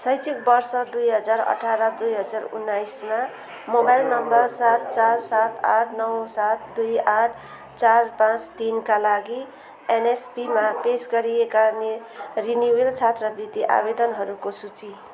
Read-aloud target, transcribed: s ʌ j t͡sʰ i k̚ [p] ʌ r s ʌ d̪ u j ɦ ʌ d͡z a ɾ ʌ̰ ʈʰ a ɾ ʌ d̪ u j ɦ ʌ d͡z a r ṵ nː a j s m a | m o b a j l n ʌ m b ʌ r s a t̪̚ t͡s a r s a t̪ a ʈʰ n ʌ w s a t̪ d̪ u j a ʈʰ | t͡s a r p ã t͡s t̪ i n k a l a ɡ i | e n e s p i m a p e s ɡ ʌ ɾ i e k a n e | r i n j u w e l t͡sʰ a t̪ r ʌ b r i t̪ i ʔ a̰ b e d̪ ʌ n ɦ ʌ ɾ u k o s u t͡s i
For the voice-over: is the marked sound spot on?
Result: no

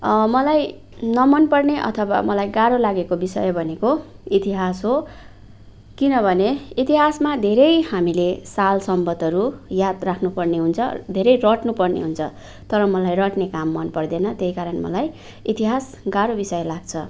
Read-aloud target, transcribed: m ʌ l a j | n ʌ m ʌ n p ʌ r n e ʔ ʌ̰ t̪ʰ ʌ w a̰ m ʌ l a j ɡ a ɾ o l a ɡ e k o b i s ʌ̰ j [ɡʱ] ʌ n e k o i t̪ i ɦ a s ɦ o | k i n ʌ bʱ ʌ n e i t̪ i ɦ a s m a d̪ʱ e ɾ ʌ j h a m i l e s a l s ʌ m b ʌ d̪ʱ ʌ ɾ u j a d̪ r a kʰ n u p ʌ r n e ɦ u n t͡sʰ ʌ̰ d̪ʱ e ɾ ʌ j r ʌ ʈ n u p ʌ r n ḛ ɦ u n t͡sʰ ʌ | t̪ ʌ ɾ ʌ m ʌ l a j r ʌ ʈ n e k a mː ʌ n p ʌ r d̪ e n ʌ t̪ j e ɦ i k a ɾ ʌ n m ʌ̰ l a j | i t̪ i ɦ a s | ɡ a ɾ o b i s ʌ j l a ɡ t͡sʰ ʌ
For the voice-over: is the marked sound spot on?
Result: no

